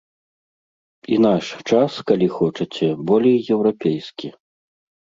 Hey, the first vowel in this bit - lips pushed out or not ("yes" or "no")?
no